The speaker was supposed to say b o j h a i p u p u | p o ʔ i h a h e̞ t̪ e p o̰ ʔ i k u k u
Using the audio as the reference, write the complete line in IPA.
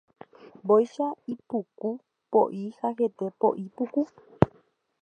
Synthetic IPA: b o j ʃ a i p u k u | p o ʔ i h a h e̞ t̪ e p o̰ ʔ i p u k u